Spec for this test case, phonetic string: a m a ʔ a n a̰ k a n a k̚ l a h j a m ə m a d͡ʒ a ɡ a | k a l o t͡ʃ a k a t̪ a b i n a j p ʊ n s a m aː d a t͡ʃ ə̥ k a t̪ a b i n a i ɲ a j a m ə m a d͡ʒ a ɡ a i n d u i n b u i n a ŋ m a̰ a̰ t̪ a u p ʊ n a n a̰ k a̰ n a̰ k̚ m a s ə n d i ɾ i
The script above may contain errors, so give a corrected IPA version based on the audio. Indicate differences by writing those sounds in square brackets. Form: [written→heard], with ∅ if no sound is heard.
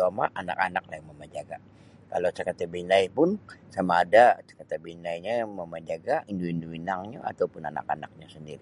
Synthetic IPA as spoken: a m a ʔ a n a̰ k a n a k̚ l a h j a m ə m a d͡ʒ a ɡ a | k a l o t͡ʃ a k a t̪ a b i n a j p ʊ n s a m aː d a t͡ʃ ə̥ k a t̪ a b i n a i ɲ a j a m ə m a d͡ʒ a ɡ a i n d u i n [b→d] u i n a ŋ [m→ɲ] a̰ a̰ t̪ a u p ʊ n a n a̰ k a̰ n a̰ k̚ [m→ɲ] a s ə n d i ɾ i